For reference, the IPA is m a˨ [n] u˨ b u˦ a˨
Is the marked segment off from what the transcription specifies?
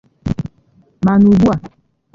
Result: no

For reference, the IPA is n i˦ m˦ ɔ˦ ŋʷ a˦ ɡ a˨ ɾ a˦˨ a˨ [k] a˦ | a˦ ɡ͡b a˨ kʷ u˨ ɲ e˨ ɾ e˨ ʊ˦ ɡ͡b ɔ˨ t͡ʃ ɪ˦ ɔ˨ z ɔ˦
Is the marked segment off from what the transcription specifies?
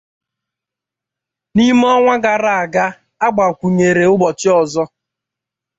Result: yes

